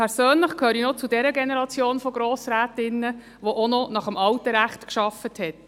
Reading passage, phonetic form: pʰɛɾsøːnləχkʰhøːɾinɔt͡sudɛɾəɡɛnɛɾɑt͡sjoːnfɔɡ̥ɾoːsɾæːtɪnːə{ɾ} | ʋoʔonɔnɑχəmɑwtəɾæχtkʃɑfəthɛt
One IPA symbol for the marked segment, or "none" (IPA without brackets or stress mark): none